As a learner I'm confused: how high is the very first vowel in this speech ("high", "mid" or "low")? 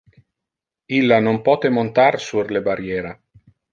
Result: high